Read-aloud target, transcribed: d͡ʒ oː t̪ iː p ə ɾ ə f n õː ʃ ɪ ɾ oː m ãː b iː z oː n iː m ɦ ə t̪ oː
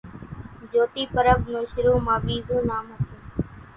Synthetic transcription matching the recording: d͡ʒ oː t̪ iː p ə ɾ ə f n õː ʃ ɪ ɾ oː m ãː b iː z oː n aː m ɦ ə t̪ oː